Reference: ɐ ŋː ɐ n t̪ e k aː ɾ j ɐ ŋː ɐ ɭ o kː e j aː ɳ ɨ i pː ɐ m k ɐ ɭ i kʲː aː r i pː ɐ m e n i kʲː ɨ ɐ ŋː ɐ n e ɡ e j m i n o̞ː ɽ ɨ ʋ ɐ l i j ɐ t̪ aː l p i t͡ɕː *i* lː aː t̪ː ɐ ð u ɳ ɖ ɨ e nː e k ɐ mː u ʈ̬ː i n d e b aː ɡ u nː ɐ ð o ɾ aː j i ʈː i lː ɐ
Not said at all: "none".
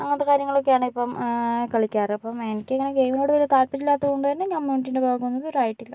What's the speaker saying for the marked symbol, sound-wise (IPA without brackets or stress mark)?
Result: i